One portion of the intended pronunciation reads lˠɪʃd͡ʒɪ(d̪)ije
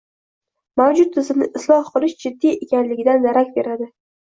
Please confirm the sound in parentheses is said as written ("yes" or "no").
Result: no